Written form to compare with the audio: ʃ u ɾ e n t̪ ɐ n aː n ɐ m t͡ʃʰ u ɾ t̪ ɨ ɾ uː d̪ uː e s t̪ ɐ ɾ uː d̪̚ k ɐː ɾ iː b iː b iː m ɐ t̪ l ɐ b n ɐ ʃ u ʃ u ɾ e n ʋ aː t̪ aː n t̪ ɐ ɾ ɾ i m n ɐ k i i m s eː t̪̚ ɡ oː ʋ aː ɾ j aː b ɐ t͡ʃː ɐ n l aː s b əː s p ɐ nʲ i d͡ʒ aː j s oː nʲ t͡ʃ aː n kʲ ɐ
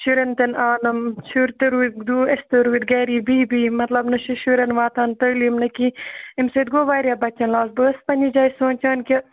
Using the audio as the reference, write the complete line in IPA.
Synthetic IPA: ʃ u ɾ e n t̪ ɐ n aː n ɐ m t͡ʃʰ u ɾ t̪ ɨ ɾ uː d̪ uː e s t̪ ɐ ɾ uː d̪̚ ɡ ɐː ɾ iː b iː b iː m ɐ t̪ l ɐ b n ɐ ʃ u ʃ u ɾ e n ʋ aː t̪ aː n t̪ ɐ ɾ l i m n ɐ k i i m s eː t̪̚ ɡ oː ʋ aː ɾ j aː b ɐ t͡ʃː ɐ n l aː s b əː s p ɐ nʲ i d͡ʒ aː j s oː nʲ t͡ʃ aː n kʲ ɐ